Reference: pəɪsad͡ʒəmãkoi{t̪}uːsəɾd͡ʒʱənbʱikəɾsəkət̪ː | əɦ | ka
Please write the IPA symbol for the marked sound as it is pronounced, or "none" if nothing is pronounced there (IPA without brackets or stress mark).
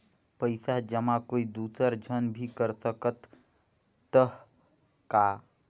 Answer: d̪